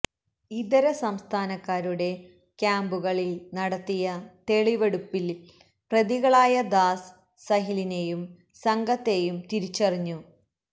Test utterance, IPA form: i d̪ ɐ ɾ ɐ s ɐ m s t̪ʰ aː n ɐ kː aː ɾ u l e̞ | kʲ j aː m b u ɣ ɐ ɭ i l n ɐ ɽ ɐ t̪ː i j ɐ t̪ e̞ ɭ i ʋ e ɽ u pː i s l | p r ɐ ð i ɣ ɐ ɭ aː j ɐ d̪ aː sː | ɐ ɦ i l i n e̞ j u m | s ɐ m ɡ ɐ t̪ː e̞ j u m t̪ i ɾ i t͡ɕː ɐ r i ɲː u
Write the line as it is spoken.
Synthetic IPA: i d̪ ɐ ɾ ɐ s ɐ m s t̪ʰ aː n ɐ kː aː ɾ u ɽ e̞ | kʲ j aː m b u ɣ ɐ ɭ i l n ɐ ɽ ɐ t̪ː i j ɐ t̪ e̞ ɭ i ʋ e ɽ u pː i l | p r ɐ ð i ɣ ɐ ɭ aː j ɐ d̪ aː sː | ɐ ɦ i l i n e̞ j u m | s ɐ ŋ ɡ ɐ t̪ː e̞ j u m t̪ i ɾ i t͡ɕː ɐ r i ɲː u